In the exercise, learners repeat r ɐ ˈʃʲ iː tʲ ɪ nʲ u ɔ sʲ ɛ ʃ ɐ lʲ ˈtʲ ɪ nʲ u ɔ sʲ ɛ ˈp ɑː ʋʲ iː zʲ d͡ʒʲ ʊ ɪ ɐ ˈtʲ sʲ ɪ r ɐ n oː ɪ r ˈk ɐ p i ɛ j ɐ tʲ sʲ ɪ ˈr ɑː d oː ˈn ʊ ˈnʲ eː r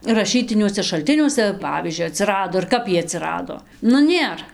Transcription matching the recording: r ɐ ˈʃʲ iː tʲ ɪ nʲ u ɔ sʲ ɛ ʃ ɐ lʲ ˈtʲ ɪ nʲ u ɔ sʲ ɛ ˈp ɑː ʋʲ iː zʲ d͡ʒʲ ʊ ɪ ɐ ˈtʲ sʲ ɪ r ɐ d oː ɪ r ˈk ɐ p i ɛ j ɐ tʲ sʲ ɪ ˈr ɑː d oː ˈn ʊ ˈnʲ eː r